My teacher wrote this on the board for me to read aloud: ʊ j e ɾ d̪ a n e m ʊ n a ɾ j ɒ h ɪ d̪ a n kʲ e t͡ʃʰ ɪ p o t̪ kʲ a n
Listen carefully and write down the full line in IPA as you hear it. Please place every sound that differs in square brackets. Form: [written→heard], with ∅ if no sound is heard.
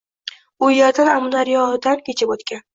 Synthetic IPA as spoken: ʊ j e ɾ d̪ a n [e→a] m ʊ n a ɾ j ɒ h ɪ d̪ a n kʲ e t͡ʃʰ ɪ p o t̪ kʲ a n